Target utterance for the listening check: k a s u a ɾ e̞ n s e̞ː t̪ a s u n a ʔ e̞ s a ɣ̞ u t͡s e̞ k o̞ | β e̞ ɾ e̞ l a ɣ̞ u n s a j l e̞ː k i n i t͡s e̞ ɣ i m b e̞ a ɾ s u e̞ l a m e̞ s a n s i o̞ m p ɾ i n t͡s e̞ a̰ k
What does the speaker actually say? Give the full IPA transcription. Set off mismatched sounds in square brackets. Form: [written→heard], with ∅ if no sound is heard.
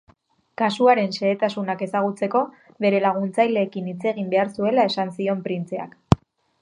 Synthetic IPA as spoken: k a s u a ɾ e̞ n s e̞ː t̪ a s u n a [ʔ→k] e̞ s a ɣ̞ u t͡s e̞ k o̞ | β e̞ ɾ e̞ l a ɣ̞ u n [s→t͡s] a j l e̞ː k i n i t͡s e̞ ɣ i m b e̞ a ɾ s u e̞ l a [m→∅] e̞ s a n s i o̞ m p ɾ i n t͡s e̞ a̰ k